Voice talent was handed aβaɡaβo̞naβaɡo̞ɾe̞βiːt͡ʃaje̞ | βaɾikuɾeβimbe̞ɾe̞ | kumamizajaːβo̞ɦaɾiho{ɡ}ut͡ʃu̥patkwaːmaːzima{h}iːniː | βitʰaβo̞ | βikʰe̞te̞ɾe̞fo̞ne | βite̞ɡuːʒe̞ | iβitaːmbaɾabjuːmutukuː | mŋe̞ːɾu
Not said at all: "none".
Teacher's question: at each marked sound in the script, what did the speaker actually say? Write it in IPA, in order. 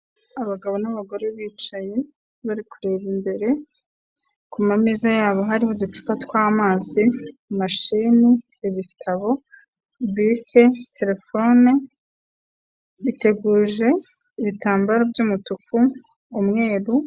d, ʃ

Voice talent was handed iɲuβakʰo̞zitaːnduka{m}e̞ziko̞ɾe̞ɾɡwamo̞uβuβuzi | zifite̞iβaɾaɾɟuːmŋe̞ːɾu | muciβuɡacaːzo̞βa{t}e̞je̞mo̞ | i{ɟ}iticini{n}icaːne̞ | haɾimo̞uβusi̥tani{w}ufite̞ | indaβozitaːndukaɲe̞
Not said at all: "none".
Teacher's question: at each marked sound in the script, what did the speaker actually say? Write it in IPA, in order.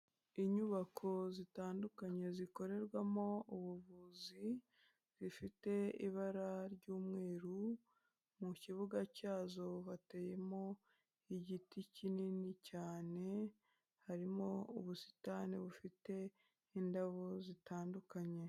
ɲ, t, ɟ, n, β

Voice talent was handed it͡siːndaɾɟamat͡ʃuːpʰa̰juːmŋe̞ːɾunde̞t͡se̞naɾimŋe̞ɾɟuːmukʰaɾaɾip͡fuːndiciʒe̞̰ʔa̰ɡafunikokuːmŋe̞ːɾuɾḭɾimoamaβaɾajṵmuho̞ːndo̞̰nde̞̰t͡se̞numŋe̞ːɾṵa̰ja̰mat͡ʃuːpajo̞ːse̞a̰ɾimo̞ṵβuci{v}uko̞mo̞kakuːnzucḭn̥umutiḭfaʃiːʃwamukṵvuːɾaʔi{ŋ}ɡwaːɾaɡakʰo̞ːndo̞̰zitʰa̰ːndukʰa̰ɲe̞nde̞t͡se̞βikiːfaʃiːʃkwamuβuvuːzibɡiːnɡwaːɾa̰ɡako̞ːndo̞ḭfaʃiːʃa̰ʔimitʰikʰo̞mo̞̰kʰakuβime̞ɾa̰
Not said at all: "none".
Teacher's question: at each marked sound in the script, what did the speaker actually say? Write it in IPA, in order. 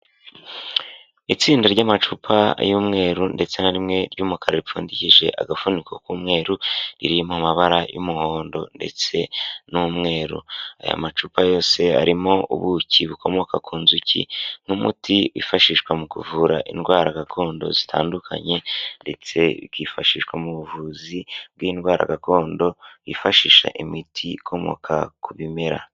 β, n

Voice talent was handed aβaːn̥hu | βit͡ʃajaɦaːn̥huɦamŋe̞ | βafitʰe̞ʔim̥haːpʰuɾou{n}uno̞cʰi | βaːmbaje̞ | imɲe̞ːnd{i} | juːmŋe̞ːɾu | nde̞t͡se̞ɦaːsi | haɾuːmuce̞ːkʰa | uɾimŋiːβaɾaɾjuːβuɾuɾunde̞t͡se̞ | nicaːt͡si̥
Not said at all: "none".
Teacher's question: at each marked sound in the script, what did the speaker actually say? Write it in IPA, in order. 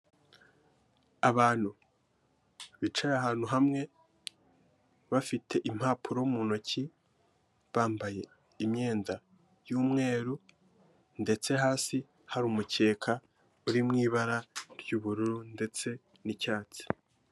m, a

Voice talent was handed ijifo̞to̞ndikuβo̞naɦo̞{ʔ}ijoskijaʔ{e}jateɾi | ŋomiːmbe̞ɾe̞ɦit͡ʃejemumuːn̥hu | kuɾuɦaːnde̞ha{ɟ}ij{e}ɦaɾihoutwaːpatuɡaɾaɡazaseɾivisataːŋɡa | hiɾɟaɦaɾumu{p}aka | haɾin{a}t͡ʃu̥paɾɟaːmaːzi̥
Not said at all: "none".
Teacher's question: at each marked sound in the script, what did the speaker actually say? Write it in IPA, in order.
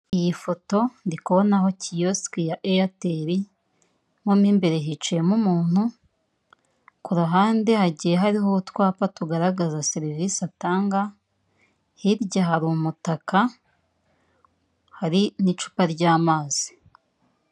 c, e, ɟ, e, t, i

